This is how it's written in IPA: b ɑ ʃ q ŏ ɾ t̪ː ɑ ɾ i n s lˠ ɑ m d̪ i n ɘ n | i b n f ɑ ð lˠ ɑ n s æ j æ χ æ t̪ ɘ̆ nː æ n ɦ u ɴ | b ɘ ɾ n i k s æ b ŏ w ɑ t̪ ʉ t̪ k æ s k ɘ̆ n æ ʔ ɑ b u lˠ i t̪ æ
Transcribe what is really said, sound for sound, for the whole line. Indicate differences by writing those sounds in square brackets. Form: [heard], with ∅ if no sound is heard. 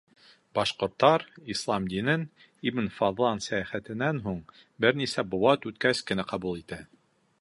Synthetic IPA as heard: b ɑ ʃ q ŏ ɾ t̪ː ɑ ɾ i [∅] s lˠ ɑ m d̪ i n ɘ n | i b n f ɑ ð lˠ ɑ n s æ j æ χ æ t̪ ɘ̆ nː æ n ɦ u ɴ | b ɘ ɾ n i [∅] s æ b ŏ w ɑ t̪ ʉ t̪ k æ s k ɘ̆ n æ [q] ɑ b u lˠ i t̪ æ

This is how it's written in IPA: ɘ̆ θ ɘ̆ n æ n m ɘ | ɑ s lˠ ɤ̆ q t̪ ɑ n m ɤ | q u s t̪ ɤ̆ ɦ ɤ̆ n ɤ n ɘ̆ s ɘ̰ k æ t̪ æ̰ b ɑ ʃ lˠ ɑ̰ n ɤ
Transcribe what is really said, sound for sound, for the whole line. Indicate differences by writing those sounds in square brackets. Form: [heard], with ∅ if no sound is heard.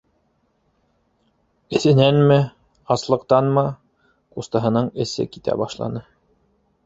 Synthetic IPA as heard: ɘ̆ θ ɘ̆ n æ n m ɘ | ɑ s lˠ ɤ̆ q t̪ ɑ n m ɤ | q u s t̪ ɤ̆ ɦ ɤ̆ n ɤ [ɴ] ɘ̆ s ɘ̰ k [i] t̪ æ̰ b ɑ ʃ lˠ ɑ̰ n ɤ

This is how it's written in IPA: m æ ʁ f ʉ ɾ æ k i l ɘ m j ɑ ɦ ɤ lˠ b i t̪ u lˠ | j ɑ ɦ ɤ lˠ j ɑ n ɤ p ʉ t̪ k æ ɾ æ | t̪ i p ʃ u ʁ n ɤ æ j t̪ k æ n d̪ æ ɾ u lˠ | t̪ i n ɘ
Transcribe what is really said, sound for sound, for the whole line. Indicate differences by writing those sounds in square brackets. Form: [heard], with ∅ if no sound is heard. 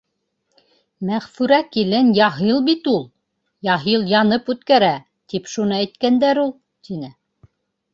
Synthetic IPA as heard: m æ ʁ f ʉ ɾ æ k i l ɘ [n] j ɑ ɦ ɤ lˠ b i t̪ u lˠ | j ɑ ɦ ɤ lˠ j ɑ n ɤ p ʉ t̪ k æ ɾ æ | t̪ i p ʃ u [∅] n ɤ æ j t̪ k æ n d̪ æ ɾ u lˠ | t̪ i n ɘ

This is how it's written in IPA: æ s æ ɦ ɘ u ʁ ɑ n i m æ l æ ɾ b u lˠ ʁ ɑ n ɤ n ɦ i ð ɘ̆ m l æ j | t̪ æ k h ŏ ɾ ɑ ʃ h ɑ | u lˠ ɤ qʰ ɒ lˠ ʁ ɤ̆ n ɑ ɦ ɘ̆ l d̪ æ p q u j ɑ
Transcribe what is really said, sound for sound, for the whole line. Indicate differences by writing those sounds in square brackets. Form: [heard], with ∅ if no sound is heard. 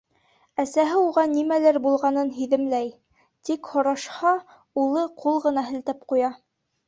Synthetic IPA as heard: æ s æ ɦ ɘ u ʁ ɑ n i m æ l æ ɾ b u lˠ ʁ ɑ n ɤ n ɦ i ð ɘ̆ m l æ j | t̪ [i] k h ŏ ɾ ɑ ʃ h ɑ | u lˠ ɤ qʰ [u] lˠ ʁ ɤ̆ n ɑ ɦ ɘ̆ l [t̪] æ p q u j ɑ

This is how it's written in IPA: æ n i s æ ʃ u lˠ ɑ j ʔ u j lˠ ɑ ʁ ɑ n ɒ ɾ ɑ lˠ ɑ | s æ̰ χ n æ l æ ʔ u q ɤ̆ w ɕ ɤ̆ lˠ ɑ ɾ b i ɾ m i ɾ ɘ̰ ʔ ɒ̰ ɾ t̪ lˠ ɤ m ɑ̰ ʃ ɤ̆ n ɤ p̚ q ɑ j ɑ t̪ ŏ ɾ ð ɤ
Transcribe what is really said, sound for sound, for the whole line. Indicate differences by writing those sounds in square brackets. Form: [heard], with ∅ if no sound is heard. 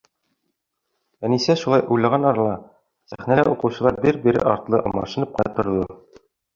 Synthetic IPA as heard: æ n i s æ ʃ u lˠ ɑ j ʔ u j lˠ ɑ ʁ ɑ n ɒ ɾ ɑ lˠ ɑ | s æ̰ χ n æ l æ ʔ u q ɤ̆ w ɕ ɤ̆ lˠ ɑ ɾ b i ɾ [b] i ɾ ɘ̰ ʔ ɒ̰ ɾ t̪ lˠ ɤ m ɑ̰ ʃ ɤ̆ n ɤ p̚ q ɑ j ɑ t̪ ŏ ɾ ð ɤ

